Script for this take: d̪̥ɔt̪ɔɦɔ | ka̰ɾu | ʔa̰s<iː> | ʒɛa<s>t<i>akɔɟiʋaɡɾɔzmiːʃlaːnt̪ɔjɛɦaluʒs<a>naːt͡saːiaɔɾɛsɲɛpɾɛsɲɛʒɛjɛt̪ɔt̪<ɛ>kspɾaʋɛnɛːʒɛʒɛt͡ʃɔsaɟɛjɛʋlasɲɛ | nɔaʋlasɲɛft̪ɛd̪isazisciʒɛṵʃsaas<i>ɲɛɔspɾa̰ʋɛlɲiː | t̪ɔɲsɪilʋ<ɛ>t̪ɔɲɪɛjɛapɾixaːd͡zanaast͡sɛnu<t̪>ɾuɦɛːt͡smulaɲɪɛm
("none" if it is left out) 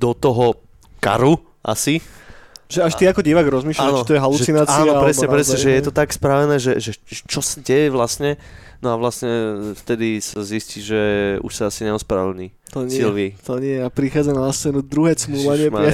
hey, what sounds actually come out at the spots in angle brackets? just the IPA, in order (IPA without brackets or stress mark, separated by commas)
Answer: i, ʃ, i, i, a, i, i, d̪